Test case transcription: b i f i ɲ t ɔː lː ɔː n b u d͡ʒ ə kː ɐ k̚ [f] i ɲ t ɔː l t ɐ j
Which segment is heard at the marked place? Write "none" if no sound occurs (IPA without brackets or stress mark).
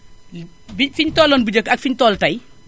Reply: f